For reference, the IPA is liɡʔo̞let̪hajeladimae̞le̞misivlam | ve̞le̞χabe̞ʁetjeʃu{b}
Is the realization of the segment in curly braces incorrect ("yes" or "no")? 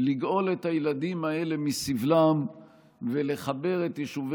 yes